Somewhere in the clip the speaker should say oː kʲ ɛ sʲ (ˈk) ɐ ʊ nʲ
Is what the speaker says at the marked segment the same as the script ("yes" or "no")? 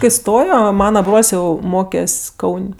yes